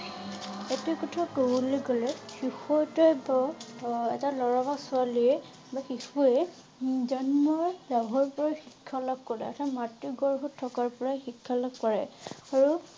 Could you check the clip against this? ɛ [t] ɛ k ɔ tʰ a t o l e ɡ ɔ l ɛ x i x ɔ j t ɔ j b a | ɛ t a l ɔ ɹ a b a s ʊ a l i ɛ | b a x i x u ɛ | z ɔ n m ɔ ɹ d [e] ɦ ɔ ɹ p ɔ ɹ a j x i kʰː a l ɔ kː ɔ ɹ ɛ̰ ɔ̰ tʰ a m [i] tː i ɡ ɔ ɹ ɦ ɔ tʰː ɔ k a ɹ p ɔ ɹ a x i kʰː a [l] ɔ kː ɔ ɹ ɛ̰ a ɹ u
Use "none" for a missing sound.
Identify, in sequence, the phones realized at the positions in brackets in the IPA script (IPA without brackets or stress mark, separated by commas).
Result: t, a, a, l